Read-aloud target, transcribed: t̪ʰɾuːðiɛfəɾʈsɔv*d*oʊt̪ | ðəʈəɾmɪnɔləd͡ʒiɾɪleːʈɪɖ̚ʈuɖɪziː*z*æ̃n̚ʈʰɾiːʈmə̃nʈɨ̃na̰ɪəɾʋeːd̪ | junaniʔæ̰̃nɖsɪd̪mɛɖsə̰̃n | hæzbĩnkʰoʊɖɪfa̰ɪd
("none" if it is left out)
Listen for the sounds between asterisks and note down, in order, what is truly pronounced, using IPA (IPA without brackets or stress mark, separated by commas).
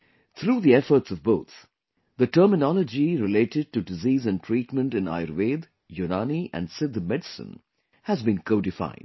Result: b, z